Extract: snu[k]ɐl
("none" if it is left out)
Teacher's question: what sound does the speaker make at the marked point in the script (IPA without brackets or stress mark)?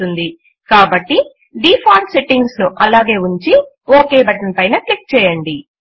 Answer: ʔ